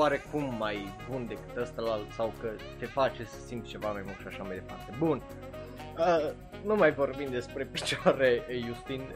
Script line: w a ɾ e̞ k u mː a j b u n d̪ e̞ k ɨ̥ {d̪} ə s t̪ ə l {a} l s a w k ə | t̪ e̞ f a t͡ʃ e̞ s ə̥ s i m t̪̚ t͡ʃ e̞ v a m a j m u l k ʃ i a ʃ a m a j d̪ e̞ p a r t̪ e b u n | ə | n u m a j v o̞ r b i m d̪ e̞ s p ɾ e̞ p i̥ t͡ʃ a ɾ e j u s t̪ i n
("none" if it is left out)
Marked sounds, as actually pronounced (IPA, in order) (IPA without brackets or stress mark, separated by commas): t̪, a